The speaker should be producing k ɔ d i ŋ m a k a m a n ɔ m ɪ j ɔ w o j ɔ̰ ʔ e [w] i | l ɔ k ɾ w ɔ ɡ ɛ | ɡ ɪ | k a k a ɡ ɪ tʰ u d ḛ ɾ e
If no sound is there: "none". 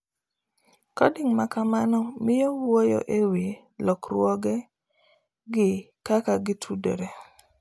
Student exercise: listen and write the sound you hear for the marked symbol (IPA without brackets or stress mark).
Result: w